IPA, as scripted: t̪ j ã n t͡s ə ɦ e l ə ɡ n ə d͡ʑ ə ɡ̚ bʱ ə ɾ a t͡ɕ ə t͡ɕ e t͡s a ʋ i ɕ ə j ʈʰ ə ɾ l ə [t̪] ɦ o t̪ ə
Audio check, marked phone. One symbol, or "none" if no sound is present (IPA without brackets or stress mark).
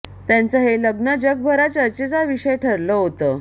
none